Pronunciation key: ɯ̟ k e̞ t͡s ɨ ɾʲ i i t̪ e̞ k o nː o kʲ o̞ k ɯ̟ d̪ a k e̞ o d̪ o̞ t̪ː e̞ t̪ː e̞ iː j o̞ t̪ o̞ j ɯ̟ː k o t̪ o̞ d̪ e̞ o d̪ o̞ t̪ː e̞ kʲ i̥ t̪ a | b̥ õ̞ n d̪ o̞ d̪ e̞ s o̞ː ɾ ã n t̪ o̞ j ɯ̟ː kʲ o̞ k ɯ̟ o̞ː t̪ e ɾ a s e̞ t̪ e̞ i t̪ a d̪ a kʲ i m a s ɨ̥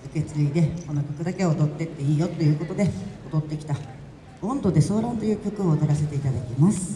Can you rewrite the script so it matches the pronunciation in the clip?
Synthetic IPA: ɯ̟ k e̞ t͡s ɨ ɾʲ i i d̪ e̞ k o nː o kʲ o̞ k ɯ̟ d̪ a k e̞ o d̪ o̞ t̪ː e̞ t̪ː e̞ iː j o̞ t̪ o̞ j ɯ̟ː k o t̪ o̞ d̪ e̞ o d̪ o̞ t̪ː e̞ kʲ i̥ t̪ a | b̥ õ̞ n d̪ o̞ d̪ e̞ s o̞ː ɾ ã n t̪ o̞ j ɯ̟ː kʲ o̞ k ɯ̟ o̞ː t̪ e ɾ a s e̞ t̪ e̞ i t̪ a d̪ a kʲ i m a s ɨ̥